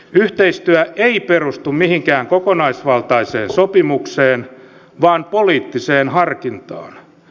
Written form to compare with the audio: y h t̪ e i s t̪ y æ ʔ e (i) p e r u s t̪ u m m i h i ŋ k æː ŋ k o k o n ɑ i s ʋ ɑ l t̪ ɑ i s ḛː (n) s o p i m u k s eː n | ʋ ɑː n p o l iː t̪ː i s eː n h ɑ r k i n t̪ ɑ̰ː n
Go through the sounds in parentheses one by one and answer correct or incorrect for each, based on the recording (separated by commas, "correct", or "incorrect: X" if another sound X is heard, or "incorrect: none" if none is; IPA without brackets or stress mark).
correct, correct